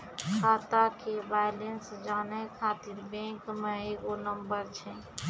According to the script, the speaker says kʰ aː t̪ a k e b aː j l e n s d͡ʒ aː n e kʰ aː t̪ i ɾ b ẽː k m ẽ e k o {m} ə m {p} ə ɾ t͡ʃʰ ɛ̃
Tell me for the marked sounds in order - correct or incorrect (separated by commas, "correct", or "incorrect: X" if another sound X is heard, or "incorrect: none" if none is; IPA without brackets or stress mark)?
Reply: incorrect: n, incorrect: b